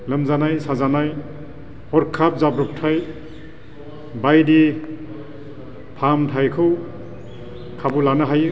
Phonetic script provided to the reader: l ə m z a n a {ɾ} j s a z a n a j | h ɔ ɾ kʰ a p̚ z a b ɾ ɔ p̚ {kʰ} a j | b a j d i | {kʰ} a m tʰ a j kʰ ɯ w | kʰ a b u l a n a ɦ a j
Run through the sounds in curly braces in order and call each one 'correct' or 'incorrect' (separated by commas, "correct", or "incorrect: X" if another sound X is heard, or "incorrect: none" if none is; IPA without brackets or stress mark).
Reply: incorrect: none, incorrect: tʰ, incorrect: pʰ